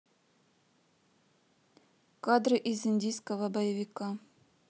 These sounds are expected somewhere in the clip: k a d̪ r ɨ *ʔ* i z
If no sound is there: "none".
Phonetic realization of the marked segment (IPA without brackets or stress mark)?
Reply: ʔ